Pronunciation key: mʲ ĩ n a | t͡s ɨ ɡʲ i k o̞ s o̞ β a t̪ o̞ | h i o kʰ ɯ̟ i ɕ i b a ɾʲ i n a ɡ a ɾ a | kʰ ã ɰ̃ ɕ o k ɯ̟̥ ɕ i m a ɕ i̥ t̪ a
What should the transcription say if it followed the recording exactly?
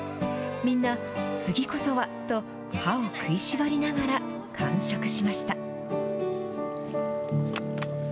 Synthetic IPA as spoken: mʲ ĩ nː a | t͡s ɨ ɡʲ i k o̞ s o̞ β a t̪ o̞ | h a o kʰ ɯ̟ i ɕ i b a ɾʲ i n a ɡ a ɾ a | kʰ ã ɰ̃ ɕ o k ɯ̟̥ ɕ i m a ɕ i̥ t̪ a